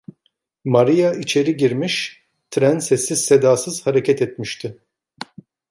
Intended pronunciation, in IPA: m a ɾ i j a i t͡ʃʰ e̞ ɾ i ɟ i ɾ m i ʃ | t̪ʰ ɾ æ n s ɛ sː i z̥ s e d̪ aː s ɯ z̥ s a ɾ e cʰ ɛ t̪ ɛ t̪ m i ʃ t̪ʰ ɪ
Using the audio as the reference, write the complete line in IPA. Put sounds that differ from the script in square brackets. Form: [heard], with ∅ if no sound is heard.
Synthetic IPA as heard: m a ɾ i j a i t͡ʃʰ e̞ ɾ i ɟ i ɾ m i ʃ | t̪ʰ ɾ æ n s ɛ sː i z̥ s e d̪ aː s ɯ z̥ [h] a ɾ e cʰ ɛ t̪ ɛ t̪ m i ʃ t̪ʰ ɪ